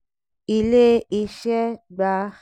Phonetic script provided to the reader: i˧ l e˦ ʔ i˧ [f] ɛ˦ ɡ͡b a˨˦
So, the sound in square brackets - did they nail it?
no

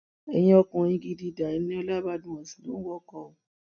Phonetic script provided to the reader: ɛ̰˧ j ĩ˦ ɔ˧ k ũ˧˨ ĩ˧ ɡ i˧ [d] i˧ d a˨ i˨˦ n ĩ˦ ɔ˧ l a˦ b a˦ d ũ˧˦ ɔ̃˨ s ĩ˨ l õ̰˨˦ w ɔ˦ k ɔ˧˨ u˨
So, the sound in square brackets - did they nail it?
yes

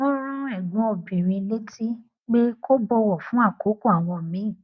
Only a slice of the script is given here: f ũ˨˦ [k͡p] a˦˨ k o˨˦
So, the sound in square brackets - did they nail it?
no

